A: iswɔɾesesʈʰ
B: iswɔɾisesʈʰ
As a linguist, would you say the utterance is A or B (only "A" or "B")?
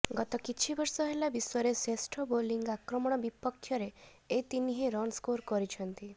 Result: A